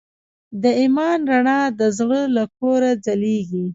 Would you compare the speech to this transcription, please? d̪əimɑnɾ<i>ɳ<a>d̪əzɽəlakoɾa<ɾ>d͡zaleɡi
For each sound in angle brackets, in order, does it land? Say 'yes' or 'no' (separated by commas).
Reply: no, no, no